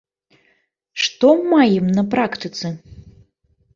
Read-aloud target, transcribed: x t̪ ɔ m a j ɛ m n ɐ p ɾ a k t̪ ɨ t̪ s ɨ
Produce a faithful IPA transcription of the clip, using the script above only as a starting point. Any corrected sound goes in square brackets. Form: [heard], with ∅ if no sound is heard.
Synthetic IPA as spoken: [ʂ] t̪ ɔ m a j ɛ m n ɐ p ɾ a k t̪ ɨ t̪ s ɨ